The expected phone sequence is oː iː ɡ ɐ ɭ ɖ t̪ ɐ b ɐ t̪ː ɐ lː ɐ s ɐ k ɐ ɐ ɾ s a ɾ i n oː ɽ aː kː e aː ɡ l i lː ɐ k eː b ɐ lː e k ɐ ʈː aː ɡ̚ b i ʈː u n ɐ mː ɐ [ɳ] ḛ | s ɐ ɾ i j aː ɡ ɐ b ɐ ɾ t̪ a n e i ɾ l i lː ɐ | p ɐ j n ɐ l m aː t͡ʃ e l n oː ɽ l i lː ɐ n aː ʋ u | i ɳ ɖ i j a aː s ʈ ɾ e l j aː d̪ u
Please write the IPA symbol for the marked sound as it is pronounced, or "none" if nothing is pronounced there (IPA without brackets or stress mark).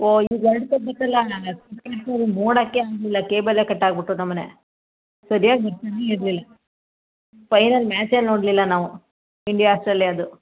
n